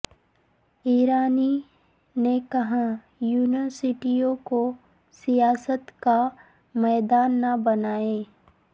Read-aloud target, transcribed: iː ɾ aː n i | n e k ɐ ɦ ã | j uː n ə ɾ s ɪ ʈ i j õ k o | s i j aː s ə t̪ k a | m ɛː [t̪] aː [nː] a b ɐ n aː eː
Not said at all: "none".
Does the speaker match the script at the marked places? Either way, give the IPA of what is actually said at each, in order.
d̪, nː

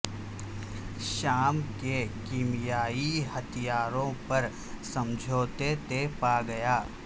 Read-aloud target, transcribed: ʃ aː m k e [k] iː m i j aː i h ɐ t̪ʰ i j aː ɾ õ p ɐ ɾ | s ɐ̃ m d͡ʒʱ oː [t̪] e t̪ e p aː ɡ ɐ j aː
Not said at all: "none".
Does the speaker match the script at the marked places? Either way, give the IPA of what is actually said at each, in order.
k, t̪

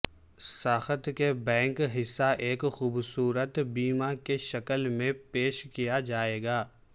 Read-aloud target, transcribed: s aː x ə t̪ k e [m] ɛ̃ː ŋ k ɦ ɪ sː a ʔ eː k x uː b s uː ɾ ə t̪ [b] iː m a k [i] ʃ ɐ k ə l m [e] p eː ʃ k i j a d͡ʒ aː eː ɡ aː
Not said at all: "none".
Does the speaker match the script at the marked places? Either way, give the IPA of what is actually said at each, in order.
b, b, e, ẽ

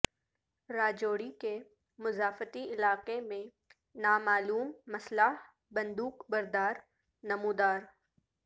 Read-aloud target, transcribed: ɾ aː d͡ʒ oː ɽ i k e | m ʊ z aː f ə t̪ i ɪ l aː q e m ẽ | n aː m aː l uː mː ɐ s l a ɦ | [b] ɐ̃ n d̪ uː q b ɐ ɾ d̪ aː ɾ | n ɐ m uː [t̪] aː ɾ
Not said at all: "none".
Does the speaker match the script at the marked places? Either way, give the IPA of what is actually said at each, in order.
b, d̪

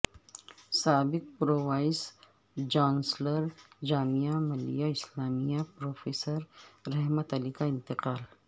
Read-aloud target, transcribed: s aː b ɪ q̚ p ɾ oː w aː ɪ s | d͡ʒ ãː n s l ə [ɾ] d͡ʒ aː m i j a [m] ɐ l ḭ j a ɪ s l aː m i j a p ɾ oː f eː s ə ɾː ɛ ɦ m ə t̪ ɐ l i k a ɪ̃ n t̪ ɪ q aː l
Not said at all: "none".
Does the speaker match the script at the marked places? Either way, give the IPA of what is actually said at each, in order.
ɾ, m

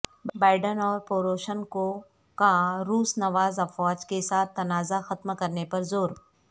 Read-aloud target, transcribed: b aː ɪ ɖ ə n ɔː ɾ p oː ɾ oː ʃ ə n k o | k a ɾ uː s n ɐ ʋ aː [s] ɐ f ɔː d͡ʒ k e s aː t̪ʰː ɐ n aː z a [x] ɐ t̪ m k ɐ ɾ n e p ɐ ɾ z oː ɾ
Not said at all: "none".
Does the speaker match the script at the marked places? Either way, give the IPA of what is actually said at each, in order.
z, x

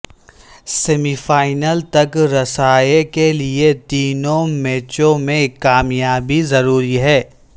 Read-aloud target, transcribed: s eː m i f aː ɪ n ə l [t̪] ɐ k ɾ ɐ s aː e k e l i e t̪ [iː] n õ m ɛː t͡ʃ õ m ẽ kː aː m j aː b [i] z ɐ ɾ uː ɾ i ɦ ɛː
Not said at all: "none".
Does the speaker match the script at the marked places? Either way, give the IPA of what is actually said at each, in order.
t̪, iː, i

